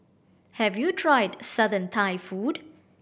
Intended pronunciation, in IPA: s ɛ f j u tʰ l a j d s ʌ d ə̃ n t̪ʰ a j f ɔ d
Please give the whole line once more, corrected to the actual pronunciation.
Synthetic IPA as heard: h ɛ v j u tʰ ɹ a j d s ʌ d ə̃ n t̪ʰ a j f u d